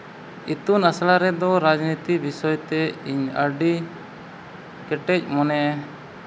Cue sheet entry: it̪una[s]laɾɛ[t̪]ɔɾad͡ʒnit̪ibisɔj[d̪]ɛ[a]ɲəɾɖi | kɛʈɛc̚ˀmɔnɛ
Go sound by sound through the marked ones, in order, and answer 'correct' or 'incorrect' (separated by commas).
correct, incorrect, incorrect, incorrect